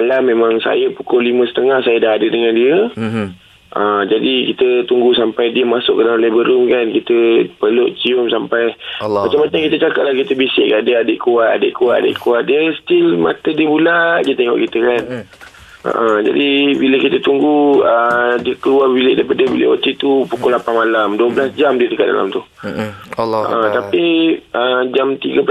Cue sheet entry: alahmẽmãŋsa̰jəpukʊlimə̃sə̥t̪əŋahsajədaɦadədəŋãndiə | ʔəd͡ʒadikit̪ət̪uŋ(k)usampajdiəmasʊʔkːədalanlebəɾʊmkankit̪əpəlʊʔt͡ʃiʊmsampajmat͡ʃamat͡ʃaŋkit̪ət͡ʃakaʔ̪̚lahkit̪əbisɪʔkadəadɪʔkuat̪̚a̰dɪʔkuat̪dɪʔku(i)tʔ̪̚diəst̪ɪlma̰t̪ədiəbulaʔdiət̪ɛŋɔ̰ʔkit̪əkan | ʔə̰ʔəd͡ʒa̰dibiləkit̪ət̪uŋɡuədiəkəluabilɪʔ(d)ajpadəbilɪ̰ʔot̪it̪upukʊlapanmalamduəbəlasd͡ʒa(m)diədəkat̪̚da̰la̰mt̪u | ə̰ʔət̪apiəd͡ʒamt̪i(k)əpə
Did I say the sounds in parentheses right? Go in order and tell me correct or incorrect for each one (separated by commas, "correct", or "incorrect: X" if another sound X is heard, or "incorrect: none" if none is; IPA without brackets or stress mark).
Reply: incorrect: ɡ, incorrect: a, correct, correct, incorrect: ɡ